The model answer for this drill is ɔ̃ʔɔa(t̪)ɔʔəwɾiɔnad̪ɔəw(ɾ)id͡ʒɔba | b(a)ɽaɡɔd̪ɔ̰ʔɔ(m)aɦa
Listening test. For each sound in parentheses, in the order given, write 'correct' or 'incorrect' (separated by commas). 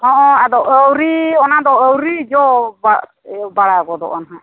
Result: incorrect, correct, correct, incorrect